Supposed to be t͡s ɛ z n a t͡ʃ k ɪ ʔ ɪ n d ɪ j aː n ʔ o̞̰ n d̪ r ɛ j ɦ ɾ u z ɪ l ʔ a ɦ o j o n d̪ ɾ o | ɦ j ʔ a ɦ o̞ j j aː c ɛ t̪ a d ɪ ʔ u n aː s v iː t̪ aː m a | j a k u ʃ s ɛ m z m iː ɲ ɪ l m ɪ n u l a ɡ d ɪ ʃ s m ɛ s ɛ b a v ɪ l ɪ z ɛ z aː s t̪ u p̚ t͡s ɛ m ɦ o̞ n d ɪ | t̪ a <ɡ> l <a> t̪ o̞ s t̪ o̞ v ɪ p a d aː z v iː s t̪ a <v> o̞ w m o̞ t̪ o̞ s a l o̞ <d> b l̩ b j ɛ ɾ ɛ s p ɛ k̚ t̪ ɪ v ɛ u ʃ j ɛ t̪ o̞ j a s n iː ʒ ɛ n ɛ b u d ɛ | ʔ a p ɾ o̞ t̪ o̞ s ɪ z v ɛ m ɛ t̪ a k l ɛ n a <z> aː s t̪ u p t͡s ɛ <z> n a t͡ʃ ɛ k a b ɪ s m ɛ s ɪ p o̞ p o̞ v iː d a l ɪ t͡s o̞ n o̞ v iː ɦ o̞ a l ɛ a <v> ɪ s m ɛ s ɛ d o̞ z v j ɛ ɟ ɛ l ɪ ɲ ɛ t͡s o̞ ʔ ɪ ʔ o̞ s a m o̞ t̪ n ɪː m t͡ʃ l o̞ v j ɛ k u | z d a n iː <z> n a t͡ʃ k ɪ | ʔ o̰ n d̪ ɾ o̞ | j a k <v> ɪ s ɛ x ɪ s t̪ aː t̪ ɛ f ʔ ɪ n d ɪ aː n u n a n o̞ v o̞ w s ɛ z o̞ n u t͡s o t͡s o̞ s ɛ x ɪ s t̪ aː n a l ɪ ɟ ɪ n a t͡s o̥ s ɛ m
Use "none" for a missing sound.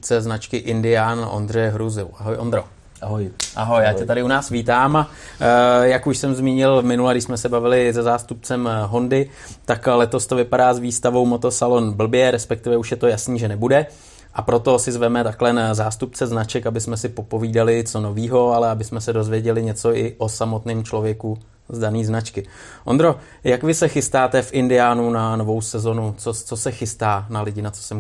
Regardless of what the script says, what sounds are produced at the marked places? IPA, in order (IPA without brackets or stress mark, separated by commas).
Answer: k, ɛ, v, n, z, z, b, z, v